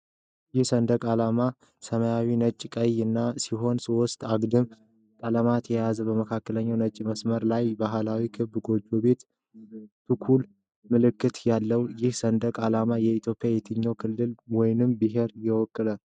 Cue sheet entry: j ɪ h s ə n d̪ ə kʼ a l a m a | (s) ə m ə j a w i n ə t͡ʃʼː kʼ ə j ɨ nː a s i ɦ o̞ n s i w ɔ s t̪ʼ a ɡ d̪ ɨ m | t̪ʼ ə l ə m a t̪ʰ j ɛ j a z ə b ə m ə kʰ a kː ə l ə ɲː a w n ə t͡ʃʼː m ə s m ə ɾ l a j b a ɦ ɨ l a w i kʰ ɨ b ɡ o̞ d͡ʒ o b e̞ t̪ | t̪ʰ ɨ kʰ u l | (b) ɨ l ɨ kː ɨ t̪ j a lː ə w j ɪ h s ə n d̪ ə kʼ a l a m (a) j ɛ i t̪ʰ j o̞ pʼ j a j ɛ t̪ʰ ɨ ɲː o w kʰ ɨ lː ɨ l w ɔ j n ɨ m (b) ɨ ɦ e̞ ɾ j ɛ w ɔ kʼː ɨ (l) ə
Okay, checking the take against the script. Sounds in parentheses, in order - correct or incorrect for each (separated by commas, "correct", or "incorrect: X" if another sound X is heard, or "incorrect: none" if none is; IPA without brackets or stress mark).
correct, incorrect: m, correct, correct, correct